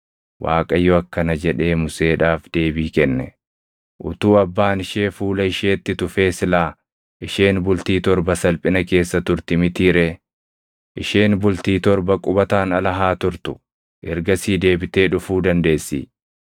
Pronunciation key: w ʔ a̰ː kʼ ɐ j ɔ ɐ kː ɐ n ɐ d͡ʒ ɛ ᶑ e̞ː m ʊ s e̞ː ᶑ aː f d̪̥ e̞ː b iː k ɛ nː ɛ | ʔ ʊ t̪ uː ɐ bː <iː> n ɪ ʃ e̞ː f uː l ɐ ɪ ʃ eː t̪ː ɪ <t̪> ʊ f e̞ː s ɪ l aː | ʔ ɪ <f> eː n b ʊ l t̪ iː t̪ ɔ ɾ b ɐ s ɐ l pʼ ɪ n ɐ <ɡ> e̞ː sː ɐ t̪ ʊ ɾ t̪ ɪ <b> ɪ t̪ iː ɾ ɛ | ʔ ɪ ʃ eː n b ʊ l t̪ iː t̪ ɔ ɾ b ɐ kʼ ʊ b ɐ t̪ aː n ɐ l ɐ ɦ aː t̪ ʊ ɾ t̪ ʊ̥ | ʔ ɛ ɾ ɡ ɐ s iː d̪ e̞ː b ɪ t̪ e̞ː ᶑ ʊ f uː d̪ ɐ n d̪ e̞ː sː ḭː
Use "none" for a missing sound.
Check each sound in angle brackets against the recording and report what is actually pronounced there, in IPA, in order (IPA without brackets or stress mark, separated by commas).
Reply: aː, t̪, ʃ, k, m